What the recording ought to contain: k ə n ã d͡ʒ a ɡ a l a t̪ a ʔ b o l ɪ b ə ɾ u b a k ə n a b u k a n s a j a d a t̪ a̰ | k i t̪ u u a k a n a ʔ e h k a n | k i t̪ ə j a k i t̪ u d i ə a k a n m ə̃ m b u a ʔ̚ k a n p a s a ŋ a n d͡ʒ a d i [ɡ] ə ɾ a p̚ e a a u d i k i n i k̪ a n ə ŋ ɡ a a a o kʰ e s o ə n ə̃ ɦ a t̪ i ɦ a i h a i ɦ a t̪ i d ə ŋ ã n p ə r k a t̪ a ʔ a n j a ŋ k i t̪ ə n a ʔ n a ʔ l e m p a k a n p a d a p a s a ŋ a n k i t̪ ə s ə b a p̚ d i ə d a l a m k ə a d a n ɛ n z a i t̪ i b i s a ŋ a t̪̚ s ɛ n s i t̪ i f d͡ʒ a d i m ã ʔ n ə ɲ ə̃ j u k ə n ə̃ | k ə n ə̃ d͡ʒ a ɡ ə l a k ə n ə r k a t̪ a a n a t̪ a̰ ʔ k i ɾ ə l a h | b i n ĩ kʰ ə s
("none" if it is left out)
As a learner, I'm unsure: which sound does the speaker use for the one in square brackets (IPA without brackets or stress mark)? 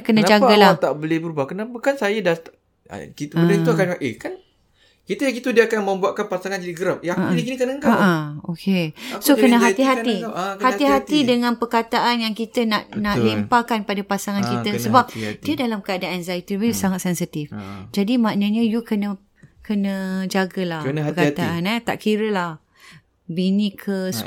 ɡ